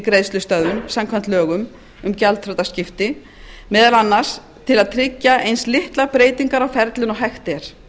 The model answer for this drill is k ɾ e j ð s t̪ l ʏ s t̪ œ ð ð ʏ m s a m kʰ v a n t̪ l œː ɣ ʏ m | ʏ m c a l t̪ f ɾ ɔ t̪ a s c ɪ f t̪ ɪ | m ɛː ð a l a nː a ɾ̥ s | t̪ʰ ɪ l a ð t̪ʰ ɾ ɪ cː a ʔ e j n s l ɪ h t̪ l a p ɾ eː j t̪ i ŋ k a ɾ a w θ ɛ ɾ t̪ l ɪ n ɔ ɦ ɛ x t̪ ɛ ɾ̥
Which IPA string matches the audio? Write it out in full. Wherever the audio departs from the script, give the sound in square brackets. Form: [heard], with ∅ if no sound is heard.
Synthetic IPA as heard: k ɾ e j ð s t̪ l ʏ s t̪ œ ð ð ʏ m s a m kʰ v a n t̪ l œː ɣ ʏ m | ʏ m c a l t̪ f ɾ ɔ t̪ a s c ɪ f t̪ ɪ | m ɛː ð a l a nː a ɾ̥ s | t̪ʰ ɪ l a ð t̪ʰ ɾ ɪ cː a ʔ e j n s l ɪ h t̪ l a p ɾ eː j t̪ i ŋ k a ɾ a w [f] ɛ ɾ t̪ l ɪ n ɔ ɦ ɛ x t̪ ɛ ɾ̥